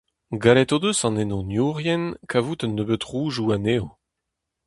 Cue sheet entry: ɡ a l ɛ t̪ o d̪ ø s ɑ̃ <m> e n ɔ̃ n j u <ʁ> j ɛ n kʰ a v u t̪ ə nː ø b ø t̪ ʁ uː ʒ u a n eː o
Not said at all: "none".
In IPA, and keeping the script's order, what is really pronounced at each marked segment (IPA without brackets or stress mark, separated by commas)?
n, ʁ